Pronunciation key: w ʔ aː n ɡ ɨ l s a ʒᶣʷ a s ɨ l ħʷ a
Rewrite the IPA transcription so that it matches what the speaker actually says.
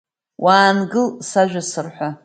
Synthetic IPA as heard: w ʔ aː n ɡ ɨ l s a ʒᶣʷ a s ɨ r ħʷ a